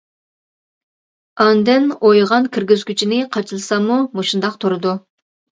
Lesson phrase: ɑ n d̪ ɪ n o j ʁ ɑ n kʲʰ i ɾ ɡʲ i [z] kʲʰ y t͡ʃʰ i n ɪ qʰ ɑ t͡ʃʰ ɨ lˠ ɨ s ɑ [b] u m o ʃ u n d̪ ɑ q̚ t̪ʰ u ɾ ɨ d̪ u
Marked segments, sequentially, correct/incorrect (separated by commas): correct, incorrect